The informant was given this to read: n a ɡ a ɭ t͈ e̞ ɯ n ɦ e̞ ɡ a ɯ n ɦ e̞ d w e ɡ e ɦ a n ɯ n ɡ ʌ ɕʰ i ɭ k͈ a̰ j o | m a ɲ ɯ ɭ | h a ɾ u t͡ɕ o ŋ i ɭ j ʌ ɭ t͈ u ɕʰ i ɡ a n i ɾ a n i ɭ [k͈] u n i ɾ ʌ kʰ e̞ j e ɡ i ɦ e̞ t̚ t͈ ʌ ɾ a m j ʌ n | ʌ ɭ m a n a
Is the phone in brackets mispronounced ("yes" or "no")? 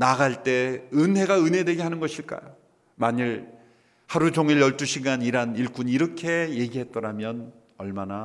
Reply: no